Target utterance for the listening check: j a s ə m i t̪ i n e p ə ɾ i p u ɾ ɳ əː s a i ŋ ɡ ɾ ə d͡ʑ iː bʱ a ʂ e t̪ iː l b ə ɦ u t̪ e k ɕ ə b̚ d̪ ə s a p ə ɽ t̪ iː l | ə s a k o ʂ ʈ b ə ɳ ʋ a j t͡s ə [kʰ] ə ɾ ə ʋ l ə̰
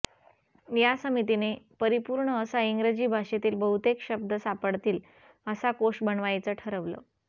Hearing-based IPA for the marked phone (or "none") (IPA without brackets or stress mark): ʈʰ